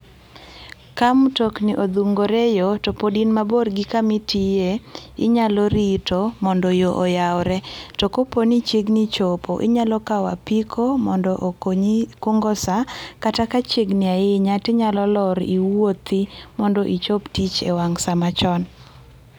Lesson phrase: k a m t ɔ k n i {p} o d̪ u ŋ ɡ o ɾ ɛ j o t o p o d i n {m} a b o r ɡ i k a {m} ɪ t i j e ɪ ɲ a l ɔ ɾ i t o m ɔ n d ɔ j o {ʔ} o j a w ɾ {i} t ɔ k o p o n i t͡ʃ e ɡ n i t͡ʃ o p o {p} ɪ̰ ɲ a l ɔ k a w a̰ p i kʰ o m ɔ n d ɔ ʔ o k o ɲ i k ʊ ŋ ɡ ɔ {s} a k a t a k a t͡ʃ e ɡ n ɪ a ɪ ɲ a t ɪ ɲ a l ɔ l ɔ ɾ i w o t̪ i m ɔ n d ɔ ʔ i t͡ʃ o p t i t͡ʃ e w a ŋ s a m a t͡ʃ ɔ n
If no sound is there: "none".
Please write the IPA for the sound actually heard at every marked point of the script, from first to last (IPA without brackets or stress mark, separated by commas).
ʔ, m, m, ʔ, ɛ, ʔ, s